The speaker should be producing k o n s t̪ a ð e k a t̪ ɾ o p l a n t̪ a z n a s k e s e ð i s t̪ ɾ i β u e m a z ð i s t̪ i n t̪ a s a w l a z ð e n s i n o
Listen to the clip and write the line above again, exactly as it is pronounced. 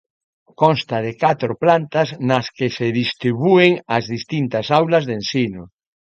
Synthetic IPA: k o n s t̪ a ð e k a t̪ ɾ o p l a n t̪ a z n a s k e s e ð i s t̪ ɾ i β u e ŋ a z ð i s t̪ i n t̪ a s a w l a z ð e n s i n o